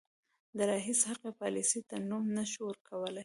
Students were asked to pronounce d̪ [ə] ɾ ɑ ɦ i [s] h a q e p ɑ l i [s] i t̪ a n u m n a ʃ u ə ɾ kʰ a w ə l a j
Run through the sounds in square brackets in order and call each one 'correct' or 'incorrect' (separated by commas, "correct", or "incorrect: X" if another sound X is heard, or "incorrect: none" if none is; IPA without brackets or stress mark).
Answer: correct, correct, correct